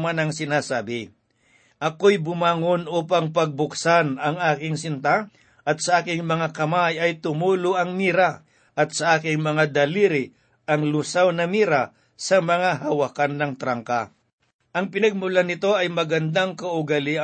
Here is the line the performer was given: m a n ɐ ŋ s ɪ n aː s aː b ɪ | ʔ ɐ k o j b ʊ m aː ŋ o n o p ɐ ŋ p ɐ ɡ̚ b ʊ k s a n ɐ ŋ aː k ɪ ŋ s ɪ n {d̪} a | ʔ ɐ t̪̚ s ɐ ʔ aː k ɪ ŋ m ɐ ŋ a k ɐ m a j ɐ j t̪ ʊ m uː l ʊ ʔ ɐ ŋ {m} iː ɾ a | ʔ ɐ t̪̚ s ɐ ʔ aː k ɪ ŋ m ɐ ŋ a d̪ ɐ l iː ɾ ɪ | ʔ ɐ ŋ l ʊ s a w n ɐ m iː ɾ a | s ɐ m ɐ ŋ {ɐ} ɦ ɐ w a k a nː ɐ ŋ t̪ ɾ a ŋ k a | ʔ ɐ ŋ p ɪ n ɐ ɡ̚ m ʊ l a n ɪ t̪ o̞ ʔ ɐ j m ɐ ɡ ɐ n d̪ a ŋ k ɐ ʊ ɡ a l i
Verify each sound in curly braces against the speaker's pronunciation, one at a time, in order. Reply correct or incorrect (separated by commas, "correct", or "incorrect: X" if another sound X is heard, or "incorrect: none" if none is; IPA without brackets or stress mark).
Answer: incorrect: t̪, correct, incorrect: a